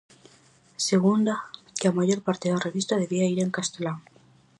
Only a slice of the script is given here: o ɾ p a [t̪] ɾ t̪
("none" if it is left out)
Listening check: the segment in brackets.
none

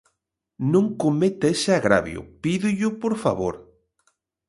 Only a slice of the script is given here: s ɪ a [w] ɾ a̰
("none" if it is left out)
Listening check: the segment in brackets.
ɣ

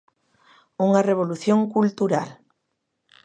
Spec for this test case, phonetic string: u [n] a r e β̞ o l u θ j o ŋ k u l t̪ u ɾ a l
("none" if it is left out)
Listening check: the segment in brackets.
ŋ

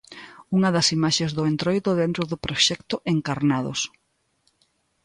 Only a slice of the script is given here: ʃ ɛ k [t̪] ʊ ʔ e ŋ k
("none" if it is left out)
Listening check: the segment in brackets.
t̪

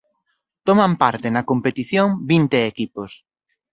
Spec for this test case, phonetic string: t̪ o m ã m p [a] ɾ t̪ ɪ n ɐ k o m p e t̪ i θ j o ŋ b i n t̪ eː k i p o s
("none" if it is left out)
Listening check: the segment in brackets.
a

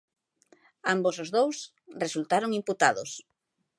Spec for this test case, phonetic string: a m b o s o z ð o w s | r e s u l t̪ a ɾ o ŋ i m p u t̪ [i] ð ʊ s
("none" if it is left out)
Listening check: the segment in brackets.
a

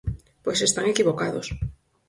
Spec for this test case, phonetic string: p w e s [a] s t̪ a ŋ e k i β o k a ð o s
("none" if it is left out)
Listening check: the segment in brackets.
e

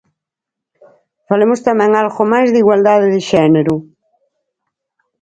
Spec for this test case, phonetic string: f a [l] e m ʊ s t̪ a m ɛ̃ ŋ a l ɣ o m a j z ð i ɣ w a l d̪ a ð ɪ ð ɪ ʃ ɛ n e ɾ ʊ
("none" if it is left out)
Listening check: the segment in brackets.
l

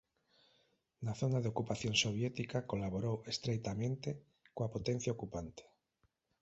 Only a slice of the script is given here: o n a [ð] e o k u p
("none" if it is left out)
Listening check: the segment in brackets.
ð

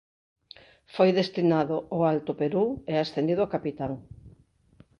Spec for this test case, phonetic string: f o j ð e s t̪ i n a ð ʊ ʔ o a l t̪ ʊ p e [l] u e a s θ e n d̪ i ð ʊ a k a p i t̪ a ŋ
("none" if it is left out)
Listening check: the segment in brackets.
ɾ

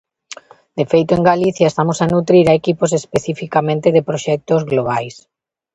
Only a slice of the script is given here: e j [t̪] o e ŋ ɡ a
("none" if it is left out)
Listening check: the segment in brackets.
t̪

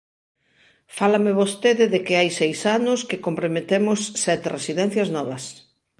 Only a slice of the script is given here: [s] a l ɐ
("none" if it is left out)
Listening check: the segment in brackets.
f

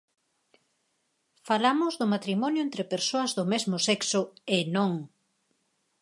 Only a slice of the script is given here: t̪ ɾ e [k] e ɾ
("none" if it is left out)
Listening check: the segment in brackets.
p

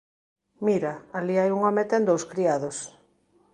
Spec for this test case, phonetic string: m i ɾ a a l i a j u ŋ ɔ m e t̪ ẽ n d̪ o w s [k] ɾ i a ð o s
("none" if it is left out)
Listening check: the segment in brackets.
k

